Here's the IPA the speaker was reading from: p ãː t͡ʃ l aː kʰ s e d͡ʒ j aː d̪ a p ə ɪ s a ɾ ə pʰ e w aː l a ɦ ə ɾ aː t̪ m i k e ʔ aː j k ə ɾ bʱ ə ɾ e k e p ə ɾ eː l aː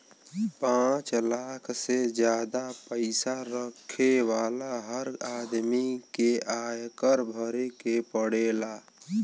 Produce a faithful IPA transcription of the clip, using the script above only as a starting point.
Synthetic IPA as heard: p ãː t͡ʃ l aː kʰ s e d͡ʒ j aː d̪ a p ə ɪ s a ɾ ə kʰ e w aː l a ɦ ə ɾ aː d̪ m i k e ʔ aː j k ə ɾ bʱ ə ɾ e k e p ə ɽ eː l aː